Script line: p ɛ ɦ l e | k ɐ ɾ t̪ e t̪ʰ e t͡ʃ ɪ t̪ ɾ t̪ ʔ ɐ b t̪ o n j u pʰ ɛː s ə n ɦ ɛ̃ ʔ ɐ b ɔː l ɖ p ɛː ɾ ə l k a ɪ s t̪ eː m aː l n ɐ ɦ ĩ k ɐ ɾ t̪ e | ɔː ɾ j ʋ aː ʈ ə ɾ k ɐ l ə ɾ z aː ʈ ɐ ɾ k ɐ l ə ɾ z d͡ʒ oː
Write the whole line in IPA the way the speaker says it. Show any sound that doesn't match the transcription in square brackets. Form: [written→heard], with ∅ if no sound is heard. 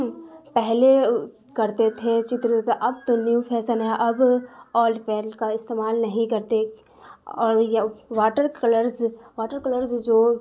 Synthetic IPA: p ɛ ɦ l e | k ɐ ɾ t̪ e t̪ʰ e t͡ʃ ɪ t̪ ɾ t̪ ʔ ɐ b t̪ o n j u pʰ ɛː s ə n ɦ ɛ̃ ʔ ɐ b ɔː l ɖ p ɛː ɾ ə l k a ɪ s t̪ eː m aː l n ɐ ɦ ĩ k ɐ ɾ t̪ e | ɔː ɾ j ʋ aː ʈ ə ɾ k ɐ l ə ɾ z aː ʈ [ɐ→ə] ɾ k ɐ l ə ɾ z d͡ʒ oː